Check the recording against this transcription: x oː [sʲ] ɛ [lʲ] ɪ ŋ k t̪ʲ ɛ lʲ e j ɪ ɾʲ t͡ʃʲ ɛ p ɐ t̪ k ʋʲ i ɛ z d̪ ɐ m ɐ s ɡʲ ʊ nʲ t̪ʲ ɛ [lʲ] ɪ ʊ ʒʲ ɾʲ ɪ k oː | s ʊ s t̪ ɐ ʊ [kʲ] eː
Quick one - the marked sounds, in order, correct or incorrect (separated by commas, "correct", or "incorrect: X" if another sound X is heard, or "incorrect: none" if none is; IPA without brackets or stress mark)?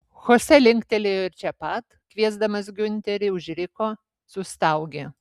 correct, correct, incorrect: ɾʲ, incorrect: ɡʲ